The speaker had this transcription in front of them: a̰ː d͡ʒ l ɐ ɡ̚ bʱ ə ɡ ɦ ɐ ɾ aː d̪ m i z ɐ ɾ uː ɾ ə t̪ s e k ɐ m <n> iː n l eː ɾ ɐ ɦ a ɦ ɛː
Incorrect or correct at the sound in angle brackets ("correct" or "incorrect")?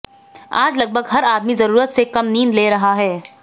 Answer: correct